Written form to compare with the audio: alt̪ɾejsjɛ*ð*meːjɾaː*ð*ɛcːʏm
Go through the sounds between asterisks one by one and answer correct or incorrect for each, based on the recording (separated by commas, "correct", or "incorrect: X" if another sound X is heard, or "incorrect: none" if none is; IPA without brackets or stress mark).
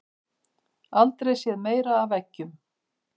correct, incorrect: v